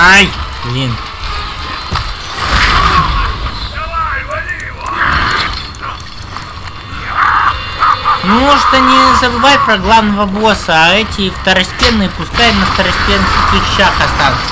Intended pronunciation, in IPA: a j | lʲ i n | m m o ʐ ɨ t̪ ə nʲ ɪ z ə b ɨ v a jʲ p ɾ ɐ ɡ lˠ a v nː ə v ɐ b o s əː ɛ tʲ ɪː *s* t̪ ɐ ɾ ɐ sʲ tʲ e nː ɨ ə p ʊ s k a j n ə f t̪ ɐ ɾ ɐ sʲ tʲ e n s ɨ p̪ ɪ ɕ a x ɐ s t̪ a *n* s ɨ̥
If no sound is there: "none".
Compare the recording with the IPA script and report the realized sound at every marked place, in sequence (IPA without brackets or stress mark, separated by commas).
f, n